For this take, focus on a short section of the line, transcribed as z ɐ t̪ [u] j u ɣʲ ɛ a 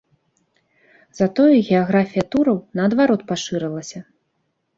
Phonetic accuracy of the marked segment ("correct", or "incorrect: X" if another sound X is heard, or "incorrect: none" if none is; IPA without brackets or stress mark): incorrect: ɔ